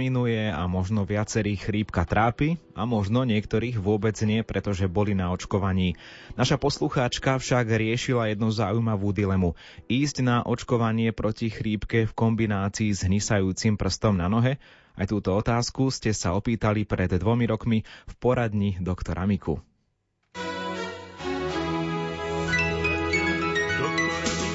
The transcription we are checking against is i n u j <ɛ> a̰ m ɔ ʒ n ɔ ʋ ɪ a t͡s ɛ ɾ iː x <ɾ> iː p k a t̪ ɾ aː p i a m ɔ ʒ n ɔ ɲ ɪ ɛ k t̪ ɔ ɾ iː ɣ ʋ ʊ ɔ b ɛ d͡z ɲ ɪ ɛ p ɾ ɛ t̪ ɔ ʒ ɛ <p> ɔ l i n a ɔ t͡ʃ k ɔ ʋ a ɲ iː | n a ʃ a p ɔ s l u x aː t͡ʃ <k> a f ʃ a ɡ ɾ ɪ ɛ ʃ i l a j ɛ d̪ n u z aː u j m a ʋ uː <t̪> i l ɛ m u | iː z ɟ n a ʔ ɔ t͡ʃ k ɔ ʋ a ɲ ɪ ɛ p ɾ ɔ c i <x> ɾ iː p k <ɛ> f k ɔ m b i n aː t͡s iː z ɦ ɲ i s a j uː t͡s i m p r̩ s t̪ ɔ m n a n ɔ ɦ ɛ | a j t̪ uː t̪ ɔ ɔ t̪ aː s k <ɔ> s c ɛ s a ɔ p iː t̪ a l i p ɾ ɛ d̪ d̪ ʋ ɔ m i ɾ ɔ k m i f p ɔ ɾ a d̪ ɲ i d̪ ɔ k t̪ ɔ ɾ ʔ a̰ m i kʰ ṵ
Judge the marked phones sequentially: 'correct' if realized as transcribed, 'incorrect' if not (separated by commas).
correct, correct, incorrect, correct, incorrect, correct, correct, incorrect